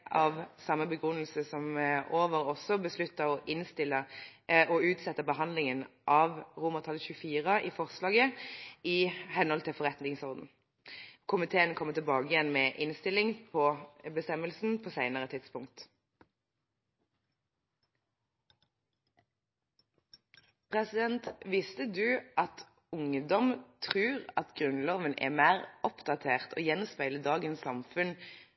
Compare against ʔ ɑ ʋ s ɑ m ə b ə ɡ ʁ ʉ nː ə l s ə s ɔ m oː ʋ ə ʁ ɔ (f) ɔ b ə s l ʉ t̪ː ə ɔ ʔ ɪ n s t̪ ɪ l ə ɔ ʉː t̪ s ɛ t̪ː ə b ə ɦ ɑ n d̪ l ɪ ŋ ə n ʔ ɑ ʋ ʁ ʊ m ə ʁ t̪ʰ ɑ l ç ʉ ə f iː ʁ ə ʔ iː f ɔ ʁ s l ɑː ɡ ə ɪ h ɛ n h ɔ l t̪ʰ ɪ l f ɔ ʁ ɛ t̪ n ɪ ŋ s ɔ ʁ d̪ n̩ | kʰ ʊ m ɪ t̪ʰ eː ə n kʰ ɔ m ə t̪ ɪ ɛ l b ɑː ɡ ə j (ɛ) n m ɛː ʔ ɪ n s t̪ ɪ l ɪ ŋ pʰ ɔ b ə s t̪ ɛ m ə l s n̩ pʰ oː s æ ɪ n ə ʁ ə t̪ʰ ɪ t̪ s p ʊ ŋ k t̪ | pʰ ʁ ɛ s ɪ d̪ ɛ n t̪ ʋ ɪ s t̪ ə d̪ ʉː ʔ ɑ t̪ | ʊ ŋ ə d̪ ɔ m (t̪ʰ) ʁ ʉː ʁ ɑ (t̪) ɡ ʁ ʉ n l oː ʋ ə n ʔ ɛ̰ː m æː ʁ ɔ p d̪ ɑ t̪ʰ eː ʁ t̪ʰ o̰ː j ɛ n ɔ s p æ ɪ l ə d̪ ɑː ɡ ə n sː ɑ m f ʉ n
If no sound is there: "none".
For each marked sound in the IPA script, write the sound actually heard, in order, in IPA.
s, ɛ, t̪ʰ, t̪

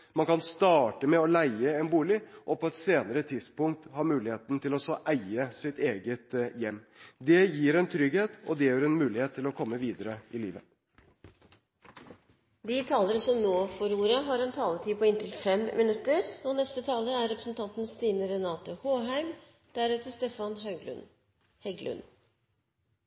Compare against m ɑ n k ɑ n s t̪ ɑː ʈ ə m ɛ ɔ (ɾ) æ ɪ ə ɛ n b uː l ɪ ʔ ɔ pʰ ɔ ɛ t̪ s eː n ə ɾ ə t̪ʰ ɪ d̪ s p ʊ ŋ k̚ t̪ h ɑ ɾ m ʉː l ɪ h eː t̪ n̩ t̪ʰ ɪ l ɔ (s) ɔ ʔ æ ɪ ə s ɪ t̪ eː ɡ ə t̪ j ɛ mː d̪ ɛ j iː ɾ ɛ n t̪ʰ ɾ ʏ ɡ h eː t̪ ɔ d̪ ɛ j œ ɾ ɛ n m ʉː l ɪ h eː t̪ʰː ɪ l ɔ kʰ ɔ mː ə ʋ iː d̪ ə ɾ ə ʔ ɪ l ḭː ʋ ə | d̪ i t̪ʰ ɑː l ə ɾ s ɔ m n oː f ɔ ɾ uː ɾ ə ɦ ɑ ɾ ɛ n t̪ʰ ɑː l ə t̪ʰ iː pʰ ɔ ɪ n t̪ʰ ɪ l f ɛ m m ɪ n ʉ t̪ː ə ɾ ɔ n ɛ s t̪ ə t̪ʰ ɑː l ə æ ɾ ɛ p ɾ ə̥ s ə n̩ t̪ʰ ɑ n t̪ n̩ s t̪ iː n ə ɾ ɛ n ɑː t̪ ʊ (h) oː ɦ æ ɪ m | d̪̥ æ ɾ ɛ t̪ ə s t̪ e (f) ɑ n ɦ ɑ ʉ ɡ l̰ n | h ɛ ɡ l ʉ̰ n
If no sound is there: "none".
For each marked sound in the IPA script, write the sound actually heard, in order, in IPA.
l, s, h, f

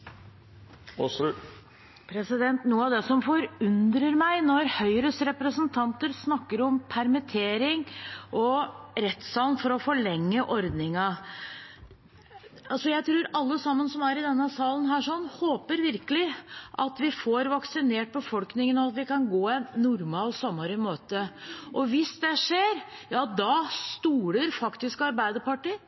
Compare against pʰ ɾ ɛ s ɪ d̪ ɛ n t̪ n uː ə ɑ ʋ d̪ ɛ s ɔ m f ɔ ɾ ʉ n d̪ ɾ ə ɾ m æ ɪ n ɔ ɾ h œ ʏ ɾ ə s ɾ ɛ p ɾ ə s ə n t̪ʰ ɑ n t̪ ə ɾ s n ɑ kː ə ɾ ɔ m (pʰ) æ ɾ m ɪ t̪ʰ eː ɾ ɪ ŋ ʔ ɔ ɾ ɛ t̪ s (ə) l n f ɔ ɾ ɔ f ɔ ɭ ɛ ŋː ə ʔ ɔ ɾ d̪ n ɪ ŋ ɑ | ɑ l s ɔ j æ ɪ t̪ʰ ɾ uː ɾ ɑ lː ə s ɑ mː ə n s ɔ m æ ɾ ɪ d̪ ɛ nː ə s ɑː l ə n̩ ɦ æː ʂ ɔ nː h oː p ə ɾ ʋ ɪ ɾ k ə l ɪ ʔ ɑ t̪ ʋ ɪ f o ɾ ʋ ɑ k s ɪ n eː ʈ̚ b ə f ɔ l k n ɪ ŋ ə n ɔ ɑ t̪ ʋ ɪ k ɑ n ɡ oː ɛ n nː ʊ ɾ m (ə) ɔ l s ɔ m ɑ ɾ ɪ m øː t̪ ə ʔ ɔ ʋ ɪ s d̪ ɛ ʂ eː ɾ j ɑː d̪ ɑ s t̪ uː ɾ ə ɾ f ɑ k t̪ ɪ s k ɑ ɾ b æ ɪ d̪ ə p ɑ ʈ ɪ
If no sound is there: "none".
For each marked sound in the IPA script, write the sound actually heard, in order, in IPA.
pʰ, ɑ, ɑ

